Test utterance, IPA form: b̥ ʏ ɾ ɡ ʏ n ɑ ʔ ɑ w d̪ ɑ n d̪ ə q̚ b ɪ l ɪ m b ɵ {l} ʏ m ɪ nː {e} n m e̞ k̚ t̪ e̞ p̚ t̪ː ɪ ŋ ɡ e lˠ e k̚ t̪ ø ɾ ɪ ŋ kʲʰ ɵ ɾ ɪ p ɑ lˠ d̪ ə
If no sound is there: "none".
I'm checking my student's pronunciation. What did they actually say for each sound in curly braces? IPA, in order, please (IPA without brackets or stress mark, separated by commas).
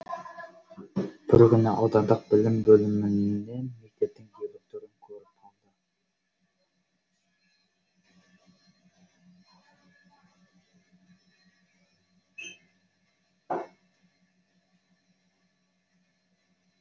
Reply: l, e